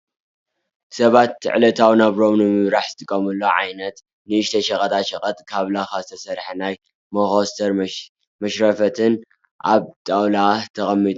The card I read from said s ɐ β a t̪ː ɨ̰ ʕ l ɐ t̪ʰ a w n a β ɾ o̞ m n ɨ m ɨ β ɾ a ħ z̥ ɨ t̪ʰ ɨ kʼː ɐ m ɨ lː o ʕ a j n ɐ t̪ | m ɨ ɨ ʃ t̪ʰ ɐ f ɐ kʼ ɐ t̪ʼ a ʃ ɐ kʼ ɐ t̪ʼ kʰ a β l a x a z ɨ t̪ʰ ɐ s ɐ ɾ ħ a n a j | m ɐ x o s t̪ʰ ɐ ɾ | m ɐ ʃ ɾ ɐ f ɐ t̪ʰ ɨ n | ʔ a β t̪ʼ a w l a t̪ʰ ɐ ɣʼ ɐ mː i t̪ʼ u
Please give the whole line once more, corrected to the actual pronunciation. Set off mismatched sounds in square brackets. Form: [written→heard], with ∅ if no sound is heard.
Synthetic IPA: s ɐ β a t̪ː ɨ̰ ʕ l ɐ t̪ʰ a w n a β ɾ o̞ m n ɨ m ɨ β ɾ a ħ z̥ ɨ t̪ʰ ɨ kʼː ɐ m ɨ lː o ʕ a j n ɐ t̪ | [m→n] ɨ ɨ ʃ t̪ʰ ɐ [f→ʃ] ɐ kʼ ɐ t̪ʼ a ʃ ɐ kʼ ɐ t̪ʼ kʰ a β l a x a z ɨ t̪ʰ ɐ s ɐ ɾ ħ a n a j | m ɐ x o s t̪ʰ ɐ ɾ | m ɐ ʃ ɾ ɐ f ɐ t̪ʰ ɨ n | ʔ a β t̪ʼ a w l a t̪ʰ ɐ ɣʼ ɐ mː i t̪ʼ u

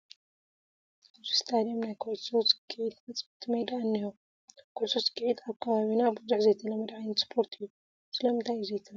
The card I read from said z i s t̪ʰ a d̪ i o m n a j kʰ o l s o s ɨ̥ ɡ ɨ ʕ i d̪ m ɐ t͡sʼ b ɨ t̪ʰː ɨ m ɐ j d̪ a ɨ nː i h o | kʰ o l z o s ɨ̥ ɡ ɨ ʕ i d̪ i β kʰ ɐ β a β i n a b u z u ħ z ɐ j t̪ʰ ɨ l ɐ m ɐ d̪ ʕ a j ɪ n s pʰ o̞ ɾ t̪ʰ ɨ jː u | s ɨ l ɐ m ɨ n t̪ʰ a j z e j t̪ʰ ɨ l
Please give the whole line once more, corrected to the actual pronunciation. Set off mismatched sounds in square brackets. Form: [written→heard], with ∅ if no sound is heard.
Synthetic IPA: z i s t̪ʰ a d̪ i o m n a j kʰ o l s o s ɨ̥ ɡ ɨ ʕ i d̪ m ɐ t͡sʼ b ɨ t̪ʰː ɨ m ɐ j d̪ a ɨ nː i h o | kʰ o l [z→s] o s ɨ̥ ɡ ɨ ʕ i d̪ [i→a] β kʰ ɐ β a β i n a b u z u ħ z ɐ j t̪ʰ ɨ l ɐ m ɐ d̪ ʕ a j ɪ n s pʰ o̞ ɾ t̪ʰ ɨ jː u | s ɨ l ɐ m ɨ n t̪ʰ a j z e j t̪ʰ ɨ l

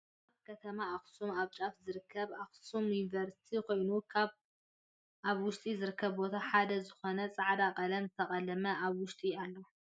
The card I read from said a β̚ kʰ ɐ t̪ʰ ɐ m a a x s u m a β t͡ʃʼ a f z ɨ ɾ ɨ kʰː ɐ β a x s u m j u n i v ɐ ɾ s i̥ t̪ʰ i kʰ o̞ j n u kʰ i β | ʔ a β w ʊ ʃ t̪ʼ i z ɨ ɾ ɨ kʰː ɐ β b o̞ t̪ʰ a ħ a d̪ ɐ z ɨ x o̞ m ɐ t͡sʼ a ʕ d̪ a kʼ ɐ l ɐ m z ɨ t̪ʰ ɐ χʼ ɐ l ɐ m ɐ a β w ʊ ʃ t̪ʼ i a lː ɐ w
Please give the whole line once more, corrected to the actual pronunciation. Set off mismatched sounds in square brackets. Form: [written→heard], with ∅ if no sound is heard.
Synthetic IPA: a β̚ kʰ ɐ t̪ʰ ɐ m a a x s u m a β t͡ʃʼ a f z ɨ ɾ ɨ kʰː ɐ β a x s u m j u n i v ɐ ɾ s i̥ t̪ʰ i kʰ o̞ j n u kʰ [i→a] β | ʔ a β w ʊ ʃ t̪ʼ i z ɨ ɾ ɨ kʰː ɐ β b o̞ t̪ʰ a ħ a d̪ ɐ z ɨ x o̞ [m→n] ɐ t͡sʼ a ʕ d̪ a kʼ ɐ l ɐ m z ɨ t̪ʰ ɐ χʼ ɐ l ɐ m ɐ a β w ʊ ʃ t̪ʼ i a lː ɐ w

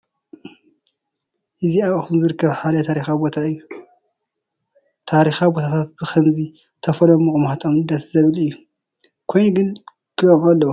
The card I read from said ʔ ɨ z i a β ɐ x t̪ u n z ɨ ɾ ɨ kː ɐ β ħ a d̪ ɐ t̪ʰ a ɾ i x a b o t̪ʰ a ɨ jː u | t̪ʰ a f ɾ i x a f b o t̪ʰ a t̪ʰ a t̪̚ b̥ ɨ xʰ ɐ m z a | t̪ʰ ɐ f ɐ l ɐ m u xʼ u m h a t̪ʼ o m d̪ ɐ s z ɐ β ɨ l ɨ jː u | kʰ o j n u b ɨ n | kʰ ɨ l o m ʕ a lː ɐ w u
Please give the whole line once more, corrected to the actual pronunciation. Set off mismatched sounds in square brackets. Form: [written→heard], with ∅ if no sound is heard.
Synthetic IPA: ʔ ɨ z i a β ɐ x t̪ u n z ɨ ɾ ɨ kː ɐ β ħ a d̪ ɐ t̪ʰ a ɾ i x a b o t̪ʰ a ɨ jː u | t̪ʰ a [f→∅] ɾ i x a [f→∅] b o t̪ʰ a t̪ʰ a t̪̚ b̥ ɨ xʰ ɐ m z [a→i] | t̪ʰ ɐ f ɐ l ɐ m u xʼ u m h a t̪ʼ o m d̪ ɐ s z ɐ β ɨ l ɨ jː u | kʰ o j n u [b→ɡ] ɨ n | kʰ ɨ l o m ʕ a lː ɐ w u

